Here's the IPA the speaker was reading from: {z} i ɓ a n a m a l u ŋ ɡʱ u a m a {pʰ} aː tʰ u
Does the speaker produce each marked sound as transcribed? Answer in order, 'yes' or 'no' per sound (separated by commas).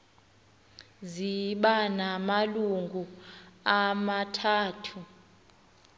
yes, no